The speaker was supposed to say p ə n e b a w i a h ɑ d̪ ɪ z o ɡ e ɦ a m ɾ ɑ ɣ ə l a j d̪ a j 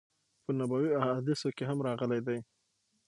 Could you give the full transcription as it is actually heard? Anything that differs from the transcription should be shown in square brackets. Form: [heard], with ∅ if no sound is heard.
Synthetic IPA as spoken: p ə n [a] b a w i a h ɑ d̪ ɪ [s] o [k] e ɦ a m ɾ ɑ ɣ ə l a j d̪ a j

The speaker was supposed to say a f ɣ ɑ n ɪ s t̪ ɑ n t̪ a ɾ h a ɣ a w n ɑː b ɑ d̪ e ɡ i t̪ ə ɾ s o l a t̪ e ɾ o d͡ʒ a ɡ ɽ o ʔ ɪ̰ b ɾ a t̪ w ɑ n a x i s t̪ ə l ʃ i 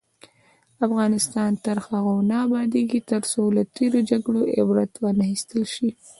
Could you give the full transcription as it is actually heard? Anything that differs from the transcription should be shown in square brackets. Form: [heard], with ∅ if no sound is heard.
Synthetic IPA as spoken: a f ɣ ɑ n ɪ s t̪ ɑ n t̪ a ɾ [x] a ɣ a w n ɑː b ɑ d̪ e ɡ i t̪ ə ɾ s o l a t̪ e ɾ o d͡ʒ a ɡ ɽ o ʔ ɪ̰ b ɾ a t̪ w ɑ n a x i s t̪ ə l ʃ i

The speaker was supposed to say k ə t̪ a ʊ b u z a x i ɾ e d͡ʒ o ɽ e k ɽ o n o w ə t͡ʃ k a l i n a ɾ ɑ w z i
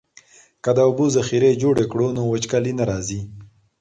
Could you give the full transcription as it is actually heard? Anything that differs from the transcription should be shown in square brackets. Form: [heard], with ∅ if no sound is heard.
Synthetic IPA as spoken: k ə [d̪] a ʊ b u z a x i ɾ e d͡ʒ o ɽ e k ɽ o n o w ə t͡ʃ k a l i n a ɾ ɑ [∅] z i

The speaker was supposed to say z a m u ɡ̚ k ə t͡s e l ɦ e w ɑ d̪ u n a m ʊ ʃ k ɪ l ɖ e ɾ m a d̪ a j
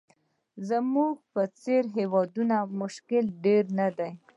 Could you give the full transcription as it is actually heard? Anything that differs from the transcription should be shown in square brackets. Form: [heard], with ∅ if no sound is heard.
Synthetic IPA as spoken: z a m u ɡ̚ [p] ə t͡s e [ɾ] ɦ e w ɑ d̪ u n a m ʊ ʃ k ɪ l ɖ e ɾ [n] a d̪ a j

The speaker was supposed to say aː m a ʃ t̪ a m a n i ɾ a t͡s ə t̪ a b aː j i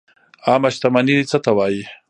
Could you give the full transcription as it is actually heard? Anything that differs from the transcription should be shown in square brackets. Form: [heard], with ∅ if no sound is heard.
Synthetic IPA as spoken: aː m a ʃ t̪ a m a n i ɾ [i] t͡s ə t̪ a [w] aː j i

